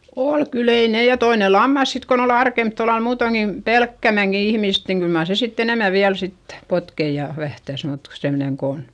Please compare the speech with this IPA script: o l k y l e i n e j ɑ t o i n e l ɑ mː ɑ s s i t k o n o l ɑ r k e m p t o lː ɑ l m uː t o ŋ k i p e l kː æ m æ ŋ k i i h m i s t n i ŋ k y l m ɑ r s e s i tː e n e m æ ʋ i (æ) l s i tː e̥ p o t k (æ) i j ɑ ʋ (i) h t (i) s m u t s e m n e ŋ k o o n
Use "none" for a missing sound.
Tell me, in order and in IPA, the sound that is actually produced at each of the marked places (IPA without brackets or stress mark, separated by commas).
æ, e, æ, æ